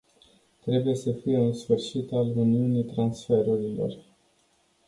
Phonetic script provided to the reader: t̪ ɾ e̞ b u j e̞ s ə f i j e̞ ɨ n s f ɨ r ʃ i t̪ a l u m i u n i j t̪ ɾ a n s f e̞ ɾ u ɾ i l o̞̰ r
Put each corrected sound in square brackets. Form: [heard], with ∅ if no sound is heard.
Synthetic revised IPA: t̪ ɾ e̞ b u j e̞ s ə f i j e̞ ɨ n s f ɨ r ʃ i t̪ a l u [n] i u n i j t̪ ɾ a n s f e̞ ɾ u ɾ i l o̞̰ r

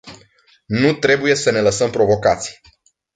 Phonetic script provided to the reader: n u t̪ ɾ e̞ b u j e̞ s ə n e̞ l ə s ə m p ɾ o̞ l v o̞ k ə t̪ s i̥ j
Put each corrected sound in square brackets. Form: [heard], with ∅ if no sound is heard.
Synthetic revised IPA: n u t̪ ɾ e̞ b u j e̞ s ə n e̞ l ə s ə m p ɾ o̞ [∅] v o̞ k [a] t̪ s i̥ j

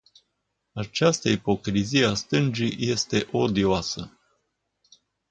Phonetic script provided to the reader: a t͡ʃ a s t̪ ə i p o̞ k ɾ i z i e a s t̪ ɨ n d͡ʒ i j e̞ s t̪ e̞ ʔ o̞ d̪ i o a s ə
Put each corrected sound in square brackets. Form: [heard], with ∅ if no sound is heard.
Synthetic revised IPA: a t͡ʃ a s t̪ ə i p o̞ k ɾ i z i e a s t̪ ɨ n d͡ʒ i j e̞ s t̪ e̞ ʔ o̞ d̪ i o a s ə

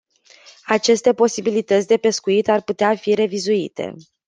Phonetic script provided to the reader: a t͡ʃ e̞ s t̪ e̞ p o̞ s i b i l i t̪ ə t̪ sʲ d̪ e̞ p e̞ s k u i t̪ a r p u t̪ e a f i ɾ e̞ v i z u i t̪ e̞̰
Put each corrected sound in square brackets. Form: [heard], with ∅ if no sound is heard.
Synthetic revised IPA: a t͡ʃ e̞ s t̪ e̞ p o̞ s i b i l i t̪ ə t̪ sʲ d̪ e̞ p e̞ s k u i t̪ a r p u t̪ e a f i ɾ e̞ v i z u i t̪ e̞̰

